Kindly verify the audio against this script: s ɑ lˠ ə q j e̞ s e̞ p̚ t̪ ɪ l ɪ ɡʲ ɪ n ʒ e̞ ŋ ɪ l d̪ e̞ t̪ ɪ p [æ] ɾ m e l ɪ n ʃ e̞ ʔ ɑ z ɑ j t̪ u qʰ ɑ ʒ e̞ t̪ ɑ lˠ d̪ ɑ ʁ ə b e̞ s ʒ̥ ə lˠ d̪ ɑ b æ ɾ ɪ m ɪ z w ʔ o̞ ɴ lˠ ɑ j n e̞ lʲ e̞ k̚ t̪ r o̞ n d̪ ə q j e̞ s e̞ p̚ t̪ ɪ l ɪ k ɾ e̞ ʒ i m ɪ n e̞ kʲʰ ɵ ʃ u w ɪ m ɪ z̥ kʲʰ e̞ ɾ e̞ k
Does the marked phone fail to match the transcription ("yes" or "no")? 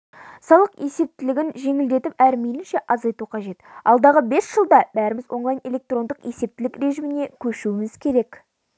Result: no